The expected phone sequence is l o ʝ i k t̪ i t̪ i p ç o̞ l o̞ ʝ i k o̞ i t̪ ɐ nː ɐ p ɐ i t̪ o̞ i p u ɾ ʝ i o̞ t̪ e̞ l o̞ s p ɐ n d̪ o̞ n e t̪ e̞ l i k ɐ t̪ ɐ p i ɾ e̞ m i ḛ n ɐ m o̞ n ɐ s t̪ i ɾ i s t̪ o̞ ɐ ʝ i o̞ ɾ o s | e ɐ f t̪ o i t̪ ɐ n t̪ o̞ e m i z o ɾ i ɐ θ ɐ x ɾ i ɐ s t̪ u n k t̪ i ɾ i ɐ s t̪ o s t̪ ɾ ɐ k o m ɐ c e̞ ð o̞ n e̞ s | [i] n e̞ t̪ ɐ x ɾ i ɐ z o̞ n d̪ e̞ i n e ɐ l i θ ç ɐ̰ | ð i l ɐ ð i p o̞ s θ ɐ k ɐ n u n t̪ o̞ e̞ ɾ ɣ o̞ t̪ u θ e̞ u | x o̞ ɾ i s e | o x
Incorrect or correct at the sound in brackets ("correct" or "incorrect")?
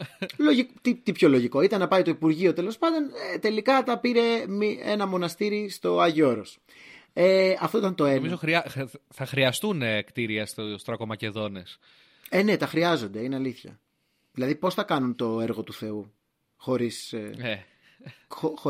incorrect